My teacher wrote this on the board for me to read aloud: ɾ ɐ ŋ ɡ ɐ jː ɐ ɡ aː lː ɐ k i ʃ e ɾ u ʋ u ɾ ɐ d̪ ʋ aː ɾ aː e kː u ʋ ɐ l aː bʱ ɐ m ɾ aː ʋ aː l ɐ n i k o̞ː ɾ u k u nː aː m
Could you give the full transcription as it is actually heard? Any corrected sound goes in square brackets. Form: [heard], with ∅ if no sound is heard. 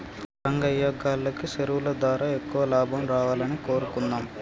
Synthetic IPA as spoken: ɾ ɐ ŋ ɡ ɐ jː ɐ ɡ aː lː ɐ k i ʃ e ɾ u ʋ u [l] ɐ d̪ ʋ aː ɾ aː e kː u ʋ ɐ l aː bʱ ɐ m ɾ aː ʋ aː l ɐ n i k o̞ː ɾ u k u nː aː m